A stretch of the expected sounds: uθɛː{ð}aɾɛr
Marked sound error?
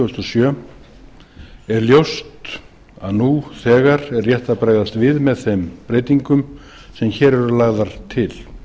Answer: yes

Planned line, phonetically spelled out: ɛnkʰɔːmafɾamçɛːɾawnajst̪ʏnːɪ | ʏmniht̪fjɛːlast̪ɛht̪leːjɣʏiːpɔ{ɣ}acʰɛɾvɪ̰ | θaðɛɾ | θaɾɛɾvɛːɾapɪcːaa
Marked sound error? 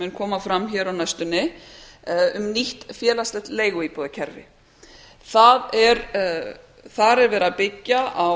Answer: yes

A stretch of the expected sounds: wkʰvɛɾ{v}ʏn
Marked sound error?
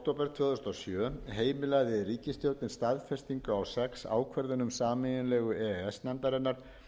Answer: yes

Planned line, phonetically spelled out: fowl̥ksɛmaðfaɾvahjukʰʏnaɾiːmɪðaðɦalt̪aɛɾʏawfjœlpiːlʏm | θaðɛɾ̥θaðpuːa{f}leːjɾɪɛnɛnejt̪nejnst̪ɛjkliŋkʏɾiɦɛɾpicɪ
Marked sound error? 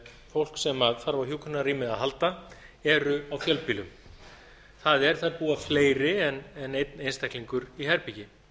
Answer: no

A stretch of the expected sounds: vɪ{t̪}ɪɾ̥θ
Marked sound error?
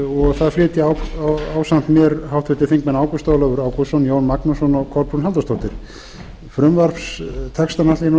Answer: no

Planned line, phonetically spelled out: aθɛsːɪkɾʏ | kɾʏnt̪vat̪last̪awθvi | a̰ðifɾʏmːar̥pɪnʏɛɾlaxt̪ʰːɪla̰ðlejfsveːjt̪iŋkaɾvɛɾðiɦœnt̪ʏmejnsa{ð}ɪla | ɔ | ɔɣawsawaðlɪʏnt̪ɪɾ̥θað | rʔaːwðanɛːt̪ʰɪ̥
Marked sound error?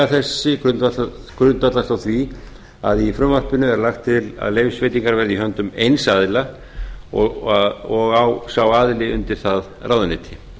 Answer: no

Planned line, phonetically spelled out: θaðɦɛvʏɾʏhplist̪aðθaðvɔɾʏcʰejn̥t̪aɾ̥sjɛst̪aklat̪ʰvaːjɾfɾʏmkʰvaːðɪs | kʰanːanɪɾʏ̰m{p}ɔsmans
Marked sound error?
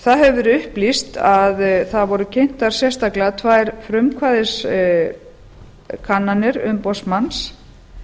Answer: no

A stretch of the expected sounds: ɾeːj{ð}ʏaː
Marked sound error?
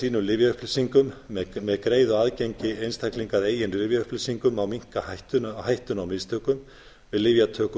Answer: no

